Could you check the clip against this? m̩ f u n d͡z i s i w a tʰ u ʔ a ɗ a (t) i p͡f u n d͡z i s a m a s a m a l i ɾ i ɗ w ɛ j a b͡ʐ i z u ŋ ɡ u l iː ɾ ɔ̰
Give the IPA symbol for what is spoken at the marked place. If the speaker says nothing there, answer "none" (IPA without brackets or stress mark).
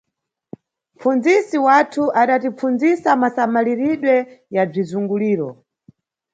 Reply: t